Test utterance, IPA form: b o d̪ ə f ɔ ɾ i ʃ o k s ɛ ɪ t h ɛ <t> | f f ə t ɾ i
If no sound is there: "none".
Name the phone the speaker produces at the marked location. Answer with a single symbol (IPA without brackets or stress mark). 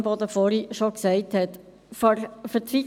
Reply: t